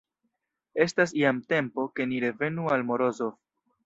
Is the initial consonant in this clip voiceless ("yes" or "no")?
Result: yes